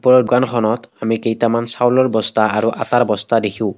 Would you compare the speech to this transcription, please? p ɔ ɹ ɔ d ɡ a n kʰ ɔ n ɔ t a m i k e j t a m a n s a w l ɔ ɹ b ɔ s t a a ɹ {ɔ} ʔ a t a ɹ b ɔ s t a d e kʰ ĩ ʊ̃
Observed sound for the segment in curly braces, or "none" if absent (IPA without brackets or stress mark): u